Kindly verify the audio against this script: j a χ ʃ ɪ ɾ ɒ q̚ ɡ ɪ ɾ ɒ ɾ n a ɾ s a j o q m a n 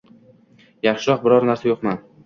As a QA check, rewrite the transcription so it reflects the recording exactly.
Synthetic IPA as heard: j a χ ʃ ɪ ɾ ɒ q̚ b ɪ ɾ ɒ ɾ n a ɾ s a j o q m a n